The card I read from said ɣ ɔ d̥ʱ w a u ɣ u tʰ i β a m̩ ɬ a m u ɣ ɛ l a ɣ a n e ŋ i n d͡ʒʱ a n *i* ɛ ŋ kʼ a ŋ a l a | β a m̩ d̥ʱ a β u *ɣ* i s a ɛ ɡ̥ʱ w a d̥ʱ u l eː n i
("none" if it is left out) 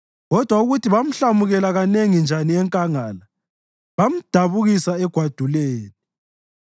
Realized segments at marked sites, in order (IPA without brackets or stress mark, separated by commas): i, ɣ